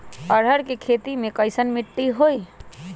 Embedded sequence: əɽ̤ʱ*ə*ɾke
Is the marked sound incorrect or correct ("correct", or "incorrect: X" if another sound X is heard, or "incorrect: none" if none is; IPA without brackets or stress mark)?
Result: correct